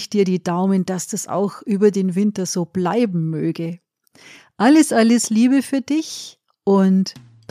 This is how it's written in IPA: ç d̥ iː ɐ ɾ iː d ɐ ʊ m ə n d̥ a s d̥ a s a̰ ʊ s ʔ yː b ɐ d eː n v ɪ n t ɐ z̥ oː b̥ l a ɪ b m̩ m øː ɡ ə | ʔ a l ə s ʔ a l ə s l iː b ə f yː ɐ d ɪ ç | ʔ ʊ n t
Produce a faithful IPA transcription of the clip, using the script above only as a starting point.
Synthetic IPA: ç d̥ iː ɐ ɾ iː d a ʊ m ə n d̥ a s d̥ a s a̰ ʊ x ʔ yː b ɐ d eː n v ɪ n t ɐ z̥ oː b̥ l a ɪ b m̩ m øː ɡ ə | ʔ a l ə s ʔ a l ə s l iː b ə f yː ɐ d ɪ ç | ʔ ʊ n t